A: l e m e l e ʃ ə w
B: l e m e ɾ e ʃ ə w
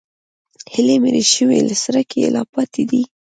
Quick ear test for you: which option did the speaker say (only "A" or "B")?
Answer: B